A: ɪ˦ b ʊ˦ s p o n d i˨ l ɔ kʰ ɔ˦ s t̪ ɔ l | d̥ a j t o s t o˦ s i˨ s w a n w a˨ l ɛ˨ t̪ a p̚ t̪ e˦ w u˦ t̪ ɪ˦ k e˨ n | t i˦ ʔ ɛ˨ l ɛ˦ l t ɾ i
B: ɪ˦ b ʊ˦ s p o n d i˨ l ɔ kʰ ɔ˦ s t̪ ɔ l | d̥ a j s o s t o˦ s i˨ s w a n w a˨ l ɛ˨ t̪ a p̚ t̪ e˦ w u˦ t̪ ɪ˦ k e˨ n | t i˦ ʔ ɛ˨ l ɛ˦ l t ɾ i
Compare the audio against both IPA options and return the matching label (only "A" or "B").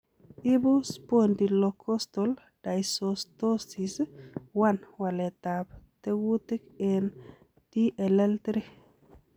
B